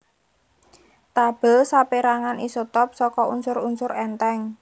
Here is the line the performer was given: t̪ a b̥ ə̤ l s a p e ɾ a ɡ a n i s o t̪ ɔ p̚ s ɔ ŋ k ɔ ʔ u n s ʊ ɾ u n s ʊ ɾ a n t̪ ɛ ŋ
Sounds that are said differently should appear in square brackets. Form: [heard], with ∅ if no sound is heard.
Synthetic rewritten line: t̪ a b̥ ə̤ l s a p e ɾ a [ŋ] a n i s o t̪ ɔ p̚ s ɔ [∅] k ɔ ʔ u n s ʊ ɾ u n s ʊ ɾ [ɛ] n t̪ ɛ ŋ